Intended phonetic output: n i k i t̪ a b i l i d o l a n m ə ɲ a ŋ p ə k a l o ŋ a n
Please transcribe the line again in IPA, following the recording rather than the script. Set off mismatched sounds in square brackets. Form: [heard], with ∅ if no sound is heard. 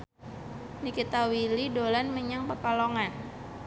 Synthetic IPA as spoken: n i k i t̪ a [w] i l i d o l a n m ə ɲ a ŋ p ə k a l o ŋ a n